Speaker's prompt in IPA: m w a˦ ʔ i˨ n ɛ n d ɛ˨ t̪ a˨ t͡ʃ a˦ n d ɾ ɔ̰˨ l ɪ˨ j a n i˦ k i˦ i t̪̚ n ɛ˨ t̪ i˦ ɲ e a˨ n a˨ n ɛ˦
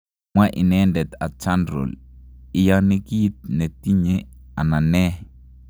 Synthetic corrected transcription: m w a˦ ʔ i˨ n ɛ n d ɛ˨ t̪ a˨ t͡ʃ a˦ n d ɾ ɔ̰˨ l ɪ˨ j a n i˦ k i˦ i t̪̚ n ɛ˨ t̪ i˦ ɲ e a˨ n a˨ n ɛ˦